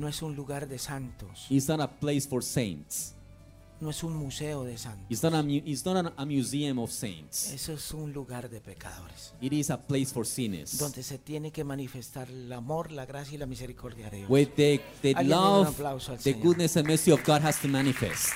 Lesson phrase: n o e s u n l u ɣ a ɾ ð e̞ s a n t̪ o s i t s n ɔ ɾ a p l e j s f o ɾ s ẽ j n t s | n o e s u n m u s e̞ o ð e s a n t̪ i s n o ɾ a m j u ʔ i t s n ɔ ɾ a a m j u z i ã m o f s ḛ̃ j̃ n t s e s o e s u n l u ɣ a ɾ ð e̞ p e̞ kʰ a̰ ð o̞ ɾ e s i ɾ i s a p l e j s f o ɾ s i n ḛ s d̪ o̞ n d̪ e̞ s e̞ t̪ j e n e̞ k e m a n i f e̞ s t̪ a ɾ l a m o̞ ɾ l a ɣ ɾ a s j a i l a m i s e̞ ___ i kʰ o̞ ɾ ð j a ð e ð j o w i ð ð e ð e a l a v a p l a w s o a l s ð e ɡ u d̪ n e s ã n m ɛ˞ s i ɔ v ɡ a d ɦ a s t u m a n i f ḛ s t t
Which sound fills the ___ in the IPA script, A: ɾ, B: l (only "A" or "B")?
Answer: A